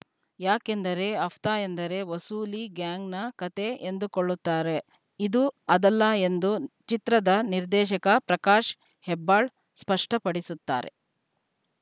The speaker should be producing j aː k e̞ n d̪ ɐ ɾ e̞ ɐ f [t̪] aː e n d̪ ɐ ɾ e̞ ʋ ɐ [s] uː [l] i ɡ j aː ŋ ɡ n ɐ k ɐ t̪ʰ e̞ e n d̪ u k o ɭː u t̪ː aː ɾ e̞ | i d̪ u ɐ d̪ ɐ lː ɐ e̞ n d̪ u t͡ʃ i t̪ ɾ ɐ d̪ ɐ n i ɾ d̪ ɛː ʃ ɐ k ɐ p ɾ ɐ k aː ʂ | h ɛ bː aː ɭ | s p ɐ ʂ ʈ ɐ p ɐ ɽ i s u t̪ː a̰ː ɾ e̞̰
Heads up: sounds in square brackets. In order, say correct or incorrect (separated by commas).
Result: correct, correct, correct